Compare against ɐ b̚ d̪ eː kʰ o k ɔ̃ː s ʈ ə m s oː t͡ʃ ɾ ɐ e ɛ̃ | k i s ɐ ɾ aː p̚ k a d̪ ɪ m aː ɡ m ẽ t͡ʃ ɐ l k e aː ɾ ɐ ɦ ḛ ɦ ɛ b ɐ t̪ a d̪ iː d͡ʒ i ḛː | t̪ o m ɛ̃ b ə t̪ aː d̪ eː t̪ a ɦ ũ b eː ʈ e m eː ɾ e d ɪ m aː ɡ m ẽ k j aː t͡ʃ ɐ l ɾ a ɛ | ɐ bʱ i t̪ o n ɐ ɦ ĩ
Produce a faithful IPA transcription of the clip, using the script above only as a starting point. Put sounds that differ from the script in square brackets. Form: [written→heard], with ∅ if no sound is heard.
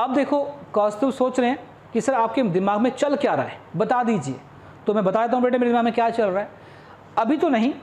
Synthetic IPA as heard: ɐ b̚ d̪ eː kʰ o k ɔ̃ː s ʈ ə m s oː t͡ʃ ɾ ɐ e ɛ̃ | k i s ɐ ɾ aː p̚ k [a→e] d̪ ɪ m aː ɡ m ẽ t͡ʃ ɐ l k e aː ɾ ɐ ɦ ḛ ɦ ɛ b ɐ t̪ a d̪ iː d͡ʒ i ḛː | t̪ o m ɛ̃ b [ə→ɐ] t̪ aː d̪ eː t̪ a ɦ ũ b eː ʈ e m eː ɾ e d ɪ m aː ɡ m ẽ k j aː t͡ʃ ɐ l ɾ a ɛ | ɐ bʱ i t̪ o n ɐ ɦ ĩ